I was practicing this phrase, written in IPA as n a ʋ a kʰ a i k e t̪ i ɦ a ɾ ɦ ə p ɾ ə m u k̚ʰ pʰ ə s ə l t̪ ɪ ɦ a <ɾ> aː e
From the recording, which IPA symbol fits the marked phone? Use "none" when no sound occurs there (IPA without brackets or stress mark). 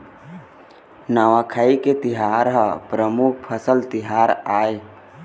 ɾ